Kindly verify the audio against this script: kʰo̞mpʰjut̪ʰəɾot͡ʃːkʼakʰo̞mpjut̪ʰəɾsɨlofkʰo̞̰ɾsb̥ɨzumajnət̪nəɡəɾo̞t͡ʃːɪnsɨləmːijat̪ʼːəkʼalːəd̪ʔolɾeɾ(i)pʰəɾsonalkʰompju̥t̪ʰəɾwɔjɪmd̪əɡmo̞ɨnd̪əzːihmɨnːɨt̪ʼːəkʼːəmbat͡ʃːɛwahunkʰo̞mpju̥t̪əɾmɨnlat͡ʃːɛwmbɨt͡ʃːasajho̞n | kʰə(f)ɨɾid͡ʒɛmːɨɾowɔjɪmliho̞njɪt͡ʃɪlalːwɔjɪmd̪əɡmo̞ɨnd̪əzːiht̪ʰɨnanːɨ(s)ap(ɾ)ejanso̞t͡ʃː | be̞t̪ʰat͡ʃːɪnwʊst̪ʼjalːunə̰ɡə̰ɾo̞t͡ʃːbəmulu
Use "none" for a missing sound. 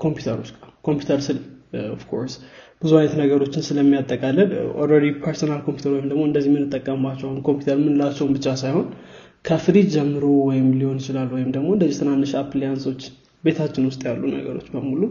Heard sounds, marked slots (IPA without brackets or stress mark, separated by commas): i, f, ʃ, l